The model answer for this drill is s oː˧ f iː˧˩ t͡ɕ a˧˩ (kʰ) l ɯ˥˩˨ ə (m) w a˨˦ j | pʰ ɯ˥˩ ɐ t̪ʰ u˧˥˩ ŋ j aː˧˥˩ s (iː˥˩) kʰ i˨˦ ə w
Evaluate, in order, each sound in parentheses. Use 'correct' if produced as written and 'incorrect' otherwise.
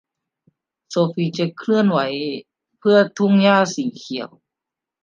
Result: correct, incorrect, incorrect

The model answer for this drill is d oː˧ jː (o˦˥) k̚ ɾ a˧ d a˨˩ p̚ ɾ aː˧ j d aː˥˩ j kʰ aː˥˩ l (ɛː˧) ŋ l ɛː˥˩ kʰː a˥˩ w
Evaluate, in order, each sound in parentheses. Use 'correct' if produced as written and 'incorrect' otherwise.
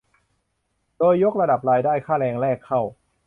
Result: correct, correct

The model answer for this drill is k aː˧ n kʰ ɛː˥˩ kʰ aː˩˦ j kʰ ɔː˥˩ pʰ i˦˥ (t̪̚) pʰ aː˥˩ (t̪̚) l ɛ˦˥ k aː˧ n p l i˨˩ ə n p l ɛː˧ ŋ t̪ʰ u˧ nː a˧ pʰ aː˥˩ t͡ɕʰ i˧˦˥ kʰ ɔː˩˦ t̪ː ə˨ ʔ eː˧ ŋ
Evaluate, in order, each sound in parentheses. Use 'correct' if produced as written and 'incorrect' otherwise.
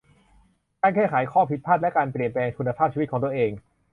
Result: correct, correct

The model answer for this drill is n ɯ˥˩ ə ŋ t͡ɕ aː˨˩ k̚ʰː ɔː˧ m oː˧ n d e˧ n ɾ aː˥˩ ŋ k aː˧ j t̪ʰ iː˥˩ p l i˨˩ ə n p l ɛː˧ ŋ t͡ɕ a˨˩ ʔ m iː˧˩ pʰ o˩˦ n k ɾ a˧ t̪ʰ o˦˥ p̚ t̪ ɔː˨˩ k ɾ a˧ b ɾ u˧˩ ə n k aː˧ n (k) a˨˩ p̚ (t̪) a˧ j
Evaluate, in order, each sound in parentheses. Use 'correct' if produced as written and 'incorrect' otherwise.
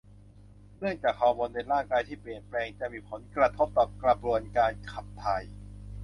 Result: incorrect, incorrect

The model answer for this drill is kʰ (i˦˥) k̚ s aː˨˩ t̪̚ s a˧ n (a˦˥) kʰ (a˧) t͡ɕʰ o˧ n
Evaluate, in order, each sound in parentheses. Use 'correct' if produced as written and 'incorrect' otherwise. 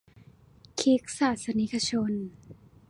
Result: correct, incorrect, correct

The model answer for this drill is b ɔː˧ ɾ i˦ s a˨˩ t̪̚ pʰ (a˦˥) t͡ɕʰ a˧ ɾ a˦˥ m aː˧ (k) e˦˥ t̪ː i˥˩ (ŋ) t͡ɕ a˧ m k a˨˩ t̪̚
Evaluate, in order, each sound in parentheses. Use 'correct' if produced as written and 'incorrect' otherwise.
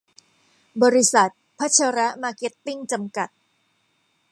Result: correct, correct, correct

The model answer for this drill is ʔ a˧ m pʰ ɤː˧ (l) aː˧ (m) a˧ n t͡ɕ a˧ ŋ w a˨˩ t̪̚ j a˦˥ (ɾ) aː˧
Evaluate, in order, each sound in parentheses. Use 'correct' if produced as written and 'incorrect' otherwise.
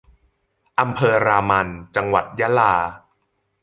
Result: incorrect, correct, incorrect

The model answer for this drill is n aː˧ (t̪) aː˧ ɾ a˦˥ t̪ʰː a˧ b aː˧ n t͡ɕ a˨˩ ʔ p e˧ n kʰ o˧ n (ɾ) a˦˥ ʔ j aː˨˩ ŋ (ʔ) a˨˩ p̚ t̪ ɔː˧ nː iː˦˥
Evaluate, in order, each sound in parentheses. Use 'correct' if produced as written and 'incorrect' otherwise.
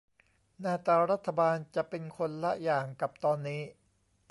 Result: correct, incorrect, incorrect

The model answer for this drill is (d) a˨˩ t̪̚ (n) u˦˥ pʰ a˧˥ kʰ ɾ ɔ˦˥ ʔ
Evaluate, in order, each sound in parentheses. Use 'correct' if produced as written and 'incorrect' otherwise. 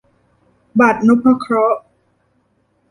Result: incorrect, correct

